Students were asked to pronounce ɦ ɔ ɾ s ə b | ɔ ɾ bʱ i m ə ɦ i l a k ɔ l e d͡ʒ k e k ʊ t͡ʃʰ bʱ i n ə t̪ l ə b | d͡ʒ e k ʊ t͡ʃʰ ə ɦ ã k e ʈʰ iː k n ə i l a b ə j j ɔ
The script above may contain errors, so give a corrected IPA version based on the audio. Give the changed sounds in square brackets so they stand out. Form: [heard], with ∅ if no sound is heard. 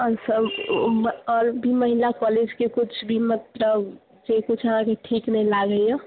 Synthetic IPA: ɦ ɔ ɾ s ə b | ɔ ɾ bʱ i m ə ɦ i l a k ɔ l e d͡ʒ k e k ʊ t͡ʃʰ bʱ i [m] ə t̪ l ə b | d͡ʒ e k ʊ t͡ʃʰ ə ɦ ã k e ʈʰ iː k n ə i l a [ɡ] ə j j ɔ